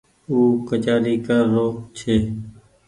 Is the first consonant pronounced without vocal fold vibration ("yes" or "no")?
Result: yes